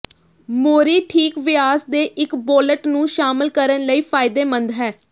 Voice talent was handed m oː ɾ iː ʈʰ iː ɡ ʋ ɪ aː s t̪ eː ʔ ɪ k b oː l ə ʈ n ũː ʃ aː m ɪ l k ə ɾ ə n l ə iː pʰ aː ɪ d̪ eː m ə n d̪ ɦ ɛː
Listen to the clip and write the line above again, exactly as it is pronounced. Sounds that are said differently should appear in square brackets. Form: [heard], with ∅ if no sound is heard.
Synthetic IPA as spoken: m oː ɾ iː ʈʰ iː [k] ʋ ɪ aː s [d̪] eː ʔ ɪ k b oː l ə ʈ n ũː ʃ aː m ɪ l k ə ɾ ə n l ə iː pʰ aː ɪ d̪ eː m ə n d̪ ɦ ɛː